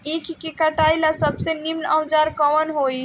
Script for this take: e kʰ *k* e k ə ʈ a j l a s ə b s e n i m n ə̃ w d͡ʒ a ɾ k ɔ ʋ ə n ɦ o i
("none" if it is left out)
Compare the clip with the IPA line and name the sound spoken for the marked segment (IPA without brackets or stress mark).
k